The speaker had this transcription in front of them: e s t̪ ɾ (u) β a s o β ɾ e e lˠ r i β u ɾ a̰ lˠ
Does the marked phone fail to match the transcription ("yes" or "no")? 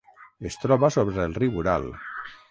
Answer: yes